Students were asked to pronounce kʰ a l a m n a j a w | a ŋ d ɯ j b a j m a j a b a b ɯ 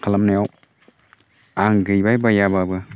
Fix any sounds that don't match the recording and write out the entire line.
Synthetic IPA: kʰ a l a m n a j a w | a ŋ ɡ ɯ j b a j b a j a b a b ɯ